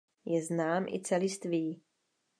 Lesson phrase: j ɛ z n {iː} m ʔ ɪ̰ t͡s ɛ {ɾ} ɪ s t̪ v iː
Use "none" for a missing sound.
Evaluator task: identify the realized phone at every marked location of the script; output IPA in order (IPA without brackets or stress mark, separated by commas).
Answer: aː, l